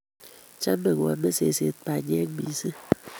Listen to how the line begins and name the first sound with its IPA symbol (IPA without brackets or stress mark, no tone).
t͡ʃ